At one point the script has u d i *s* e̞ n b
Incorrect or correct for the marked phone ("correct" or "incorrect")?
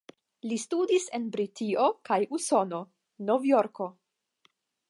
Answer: correct